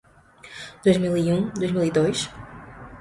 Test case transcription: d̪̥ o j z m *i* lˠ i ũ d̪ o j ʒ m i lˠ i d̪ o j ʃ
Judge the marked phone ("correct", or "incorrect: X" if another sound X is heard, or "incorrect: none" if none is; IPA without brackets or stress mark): correct